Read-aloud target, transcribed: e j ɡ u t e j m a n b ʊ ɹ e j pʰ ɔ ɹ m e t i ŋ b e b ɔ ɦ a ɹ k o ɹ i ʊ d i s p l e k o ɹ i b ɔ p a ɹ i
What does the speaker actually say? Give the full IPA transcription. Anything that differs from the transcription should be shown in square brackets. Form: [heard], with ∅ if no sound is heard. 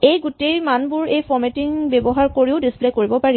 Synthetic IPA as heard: e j ɡ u t e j m a n b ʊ ɹ e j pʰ ɔ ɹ m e t i ŋ b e b ɔ ɦ a ɹ k o ɹ i ʊ d i s p l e k o ɹ i b ɔ p a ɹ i